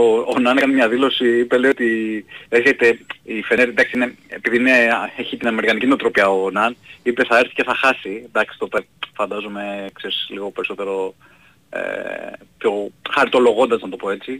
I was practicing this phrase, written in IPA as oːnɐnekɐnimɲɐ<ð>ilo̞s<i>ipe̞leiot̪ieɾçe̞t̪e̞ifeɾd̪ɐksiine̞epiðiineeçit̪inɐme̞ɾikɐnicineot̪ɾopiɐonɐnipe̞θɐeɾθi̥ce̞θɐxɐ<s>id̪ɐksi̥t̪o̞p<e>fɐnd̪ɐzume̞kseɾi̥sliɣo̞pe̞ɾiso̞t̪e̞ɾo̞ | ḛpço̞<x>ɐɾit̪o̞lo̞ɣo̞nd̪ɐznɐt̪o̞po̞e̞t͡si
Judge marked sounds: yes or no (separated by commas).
yes, yes, yes, yes, yes